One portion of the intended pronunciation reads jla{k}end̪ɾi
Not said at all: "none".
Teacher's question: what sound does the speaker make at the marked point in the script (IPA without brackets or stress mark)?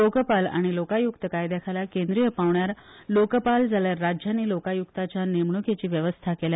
k